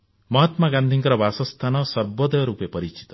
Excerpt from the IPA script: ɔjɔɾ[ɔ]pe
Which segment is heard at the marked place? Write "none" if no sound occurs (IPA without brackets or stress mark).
u